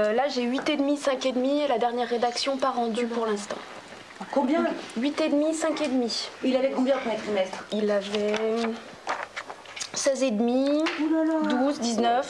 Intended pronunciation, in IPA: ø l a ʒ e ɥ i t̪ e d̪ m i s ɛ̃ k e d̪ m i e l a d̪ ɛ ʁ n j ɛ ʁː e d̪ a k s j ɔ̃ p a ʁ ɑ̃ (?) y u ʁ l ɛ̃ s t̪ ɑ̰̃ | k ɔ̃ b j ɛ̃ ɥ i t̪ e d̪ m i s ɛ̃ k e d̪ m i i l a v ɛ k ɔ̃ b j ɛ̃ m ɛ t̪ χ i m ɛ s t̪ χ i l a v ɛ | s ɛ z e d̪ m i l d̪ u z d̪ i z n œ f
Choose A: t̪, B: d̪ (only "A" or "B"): B